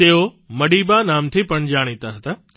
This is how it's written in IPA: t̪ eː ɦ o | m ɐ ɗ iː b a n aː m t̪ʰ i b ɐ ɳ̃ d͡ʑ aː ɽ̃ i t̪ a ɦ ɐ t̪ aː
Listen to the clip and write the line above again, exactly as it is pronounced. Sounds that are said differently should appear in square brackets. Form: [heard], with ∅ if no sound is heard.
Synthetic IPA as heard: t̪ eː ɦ o | m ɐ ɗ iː b a n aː m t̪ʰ i [p] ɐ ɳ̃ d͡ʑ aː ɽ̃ i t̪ a ɦ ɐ t̪ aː